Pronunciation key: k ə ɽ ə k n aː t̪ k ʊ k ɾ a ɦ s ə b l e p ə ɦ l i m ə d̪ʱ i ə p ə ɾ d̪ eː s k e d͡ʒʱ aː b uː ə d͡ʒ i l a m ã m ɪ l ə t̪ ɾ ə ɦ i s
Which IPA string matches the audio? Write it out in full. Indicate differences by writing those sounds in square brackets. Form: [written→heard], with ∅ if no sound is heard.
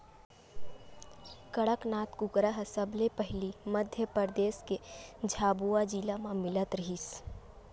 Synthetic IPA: k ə ɽ ə k n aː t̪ k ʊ k ɾ a ɦ s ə b l e p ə ɦ l i m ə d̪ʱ [i→j] ə p ə ɾ d̪ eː s k e d͡ʒʱ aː b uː [ə→a] d͡ʒ i l a m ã m ɪ l ə t̪ ɾ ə ɦ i s